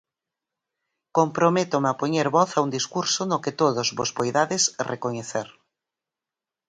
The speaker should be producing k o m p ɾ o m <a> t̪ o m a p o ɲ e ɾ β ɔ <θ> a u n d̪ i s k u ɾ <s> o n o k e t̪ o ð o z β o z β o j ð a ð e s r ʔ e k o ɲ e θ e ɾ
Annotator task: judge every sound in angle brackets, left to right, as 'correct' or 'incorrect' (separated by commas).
incorrect, correct, correct